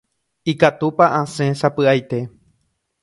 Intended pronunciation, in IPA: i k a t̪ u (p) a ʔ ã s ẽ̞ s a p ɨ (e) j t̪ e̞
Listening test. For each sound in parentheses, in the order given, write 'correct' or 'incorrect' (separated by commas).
correct, incorrect